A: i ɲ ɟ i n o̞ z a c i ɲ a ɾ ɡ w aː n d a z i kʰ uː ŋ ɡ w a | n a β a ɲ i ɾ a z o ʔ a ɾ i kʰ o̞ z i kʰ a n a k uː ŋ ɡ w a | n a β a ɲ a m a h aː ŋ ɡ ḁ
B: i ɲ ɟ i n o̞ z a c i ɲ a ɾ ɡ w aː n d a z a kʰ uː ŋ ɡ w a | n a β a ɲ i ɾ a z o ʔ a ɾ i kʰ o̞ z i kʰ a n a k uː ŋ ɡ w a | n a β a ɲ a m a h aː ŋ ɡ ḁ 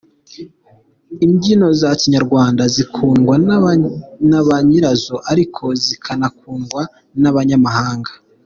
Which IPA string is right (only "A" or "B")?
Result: A